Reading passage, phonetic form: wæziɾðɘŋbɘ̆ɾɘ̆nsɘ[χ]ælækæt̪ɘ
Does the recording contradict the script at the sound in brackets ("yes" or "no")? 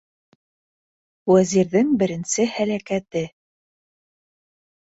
yes